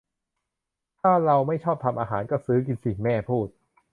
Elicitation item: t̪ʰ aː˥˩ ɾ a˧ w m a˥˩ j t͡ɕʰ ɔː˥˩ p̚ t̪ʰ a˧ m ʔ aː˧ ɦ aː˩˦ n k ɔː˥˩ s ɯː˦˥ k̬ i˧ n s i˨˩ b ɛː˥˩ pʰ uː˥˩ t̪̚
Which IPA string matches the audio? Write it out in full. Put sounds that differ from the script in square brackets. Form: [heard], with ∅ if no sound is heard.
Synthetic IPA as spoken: t̪ʰ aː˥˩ ɾ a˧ w m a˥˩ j t͡ɕʰ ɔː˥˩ p̚ t̪ʰ a˧ m ʔ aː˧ ɦ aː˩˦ n k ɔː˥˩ s ɯː˦˥ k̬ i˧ n s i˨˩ [m] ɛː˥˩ pʰ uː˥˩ t̪̚